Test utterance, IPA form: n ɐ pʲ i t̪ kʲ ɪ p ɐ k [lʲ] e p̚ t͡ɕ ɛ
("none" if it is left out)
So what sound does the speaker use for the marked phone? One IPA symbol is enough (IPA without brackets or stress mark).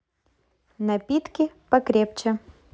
ɾʲ